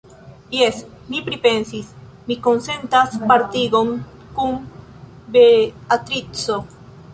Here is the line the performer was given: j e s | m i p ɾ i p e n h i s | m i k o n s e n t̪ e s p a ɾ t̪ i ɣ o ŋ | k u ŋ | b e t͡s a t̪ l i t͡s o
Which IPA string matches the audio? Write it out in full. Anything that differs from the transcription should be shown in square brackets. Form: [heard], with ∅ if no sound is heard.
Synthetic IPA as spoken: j e s | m i p ɾ i p e n [s] i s | m i k o n s e n t̪ [a] s p a ɾ t̪ i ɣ o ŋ | k u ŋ | b e [∅] a t̪ [ɾ] i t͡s o